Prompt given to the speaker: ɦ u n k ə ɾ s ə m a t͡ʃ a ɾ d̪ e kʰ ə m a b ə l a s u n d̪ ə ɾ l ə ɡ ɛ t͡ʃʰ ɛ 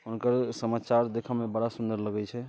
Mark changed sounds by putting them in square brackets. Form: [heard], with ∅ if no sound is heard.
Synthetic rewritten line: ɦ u n k ə ɾ s ə m a t͡ʃ a ɾ d̪ e kʰ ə m [e] b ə [ɽ] a s u n d̪ ə ɾ l ə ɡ ɛ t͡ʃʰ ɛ